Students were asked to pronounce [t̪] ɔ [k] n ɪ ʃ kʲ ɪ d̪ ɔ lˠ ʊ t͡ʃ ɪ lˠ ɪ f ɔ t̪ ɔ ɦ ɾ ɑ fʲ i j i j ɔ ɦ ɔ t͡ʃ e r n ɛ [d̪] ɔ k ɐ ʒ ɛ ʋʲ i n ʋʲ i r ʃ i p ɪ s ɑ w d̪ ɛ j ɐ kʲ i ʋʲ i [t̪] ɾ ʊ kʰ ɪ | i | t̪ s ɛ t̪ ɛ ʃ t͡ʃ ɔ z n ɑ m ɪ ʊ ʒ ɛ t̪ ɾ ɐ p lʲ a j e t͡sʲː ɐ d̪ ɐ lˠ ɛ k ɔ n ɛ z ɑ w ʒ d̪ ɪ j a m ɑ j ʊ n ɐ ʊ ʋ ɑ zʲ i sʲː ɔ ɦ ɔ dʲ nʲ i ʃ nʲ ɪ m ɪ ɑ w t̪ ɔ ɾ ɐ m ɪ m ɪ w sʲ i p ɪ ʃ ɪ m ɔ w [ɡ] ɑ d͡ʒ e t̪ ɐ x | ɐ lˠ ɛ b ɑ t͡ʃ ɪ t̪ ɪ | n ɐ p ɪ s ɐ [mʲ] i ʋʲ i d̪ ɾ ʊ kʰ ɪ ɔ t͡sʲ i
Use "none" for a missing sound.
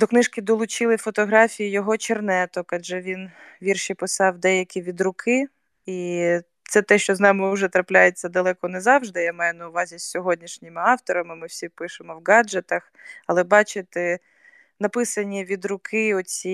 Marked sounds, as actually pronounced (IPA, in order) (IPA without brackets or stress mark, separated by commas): d̪, k, t̪, d̪, ɡ, nʲ